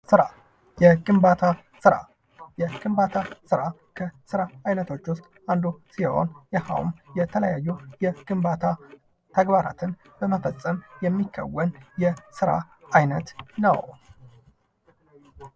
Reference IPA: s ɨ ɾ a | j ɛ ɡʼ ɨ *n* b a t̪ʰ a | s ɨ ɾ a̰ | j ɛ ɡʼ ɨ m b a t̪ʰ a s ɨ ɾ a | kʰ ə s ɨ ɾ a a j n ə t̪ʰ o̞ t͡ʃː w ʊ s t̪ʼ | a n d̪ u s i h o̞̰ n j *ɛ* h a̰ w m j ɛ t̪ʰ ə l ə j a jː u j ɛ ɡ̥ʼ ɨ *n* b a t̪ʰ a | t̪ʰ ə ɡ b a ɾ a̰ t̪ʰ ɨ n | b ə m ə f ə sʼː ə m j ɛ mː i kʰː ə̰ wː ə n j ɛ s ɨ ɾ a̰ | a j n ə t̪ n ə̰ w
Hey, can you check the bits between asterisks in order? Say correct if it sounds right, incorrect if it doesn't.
incorrect, correct, incorrect

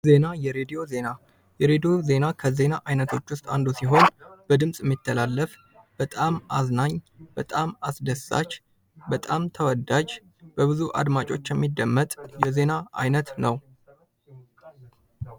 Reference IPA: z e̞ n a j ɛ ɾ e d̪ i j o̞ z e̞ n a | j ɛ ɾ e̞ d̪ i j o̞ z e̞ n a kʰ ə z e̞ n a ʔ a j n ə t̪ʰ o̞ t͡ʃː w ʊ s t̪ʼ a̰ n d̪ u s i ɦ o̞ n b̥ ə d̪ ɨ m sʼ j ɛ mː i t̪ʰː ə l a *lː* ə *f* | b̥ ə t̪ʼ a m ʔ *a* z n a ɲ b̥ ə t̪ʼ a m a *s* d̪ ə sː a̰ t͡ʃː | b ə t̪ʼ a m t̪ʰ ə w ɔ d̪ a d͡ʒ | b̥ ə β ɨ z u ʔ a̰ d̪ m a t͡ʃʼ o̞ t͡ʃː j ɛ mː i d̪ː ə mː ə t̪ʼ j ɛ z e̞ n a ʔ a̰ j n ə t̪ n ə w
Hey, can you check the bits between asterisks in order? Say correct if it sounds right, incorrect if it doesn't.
correct, correct, correct, correct

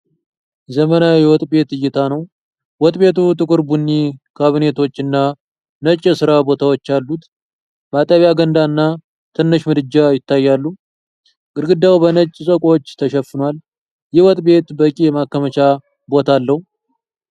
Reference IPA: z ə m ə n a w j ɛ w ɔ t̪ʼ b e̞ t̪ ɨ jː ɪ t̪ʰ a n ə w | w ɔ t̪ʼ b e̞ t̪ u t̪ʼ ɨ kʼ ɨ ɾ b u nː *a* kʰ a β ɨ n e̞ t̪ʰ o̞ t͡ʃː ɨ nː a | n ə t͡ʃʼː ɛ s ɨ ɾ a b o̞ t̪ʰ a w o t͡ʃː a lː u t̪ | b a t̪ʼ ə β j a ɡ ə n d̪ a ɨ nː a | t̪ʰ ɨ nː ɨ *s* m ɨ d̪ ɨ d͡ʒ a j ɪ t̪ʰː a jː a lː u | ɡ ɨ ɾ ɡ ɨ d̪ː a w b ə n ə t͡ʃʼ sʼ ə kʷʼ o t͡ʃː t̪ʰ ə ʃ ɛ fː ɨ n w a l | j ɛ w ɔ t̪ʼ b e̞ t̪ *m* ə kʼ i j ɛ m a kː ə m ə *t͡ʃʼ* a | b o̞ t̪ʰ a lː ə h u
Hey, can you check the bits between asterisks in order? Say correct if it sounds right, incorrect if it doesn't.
incorrect, incorrect, incorrect, incorrect

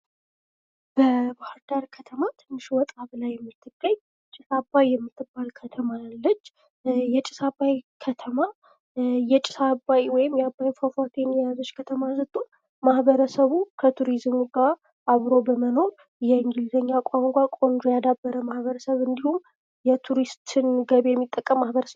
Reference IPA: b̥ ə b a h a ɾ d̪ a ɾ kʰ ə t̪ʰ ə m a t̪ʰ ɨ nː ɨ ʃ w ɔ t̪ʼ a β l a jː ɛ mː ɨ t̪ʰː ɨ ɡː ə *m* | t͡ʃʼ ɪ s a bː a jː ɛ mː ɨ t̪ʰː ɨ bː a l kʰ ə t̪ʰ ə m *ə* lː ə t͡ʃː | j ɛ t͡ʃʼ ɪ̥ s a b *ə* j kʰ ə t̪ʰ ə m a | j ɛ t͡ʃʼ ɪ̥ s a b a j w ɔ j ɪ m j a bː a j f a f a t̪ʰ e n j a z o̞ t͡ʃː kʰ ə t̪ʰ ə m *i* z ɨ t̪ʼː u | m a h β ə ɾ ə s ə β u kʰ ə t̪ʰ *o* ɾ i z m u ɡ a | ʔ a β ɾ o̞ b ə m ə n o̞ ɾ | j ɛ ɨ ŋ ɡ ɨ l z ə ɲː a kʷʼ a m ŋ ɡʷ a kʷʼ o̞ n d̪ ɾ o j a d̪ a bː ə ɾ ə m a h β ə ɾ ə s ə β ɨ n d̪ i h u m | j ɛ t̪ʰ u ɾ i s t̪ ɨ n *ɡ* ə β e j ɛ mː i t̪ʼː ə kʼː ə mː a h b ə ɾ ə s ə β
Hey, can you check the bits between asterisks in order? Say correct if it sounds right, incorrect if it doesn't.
incorrect, incorrect, incorrect, incorrect, incorrect, correct

